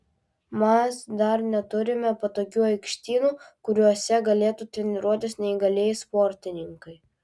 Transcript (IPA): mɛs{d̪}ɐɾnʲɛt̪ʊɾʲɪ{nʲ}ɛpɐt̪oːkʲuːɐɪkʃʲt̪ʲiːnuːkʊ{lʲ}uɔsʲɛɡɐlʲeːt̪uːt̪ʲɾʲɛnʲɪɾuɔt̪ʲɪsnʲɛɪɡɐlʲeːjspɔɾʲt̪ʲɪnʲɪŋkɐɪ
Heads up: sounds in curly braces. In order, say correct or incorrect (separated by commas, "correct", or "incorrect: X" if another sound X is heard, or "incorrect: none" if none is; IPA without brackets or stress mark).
correct, incorrect: mʲ, incorrect: ɾʲ